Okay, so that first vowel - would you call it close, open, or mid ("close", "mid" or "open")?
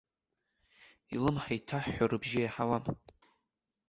close